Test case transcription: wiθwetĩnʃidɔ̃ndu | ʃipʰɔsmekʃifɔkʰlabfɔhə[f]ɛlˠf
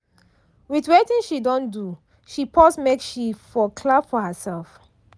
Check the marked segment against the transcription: incorrect: s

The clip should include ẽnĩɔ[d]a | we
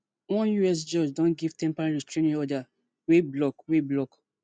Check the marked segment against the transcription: correct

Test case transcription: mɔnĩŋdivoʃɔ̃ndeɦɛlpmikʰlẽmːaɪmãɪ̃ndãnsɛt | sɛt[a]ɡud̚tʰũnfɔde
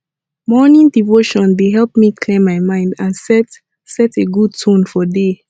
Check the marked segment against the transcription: incorrect: e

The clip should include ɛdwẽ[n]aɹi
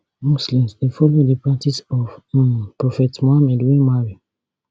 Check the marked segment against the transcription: incorrect: m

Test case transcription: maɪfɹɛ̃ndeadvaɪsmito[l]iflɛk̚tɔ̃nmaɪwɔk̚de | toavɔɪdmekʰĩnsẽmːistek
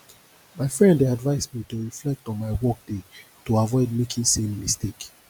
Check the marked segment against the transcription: incorrect: ɹ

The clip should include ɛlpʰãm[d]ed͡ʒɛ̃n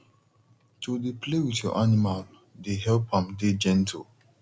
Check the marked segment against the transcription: correct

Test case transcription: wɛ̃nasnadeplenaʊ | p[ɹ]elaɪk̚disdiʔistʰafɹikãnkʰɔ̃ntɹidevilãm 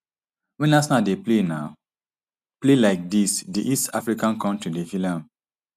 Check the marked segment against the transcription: incorrect: l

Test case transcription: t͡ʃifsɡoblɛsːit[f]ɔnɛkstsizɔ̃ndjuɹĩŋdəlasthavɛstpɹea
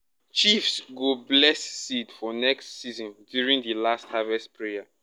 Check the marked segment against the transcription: correct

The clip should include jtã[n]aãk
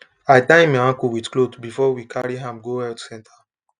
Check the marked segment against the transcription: incorrect: m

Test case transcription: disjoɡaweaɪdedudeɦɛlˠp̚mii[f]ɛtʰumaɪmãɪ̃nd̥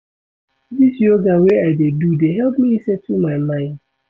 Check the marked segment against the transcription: incorrect: s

